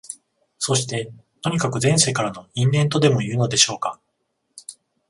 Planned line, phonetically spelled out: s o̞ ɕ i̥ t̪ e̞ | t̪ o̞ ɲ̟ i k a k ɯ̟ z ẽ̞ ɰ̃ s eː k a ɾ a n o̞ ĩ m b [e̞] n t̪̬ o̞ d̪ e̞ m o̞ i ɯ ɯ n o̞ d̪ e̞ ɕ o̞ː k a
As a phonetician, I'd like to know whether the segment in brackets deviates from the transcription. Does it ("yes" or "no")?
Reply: yes